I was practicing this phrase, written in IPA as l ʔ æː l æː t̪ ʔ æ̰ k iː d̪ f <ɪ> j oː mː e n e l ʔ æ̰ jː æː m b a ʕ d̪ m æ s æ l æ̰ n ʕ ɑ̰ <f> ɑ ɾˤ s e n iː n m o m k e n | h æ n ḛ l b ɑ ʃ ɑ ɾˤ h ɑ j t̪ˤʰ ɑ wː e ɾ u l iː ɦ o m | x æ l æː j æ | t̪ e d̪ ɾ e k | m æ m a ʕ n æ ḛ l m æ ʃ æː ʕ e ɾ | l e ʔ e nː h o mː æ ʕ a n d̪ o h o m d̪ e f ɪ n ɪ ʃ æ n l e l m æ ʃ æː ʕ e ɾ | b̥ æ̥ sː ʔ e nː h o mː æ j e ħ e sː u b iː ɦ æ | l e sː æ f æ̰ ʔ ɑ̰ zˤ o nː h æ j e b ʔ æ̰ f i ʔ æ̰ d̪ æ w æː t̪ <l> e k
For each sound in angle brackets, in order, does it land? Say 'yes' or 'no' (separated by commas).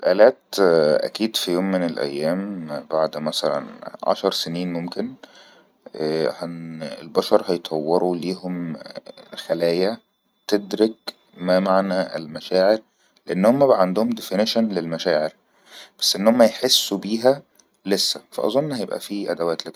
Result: no, no, yes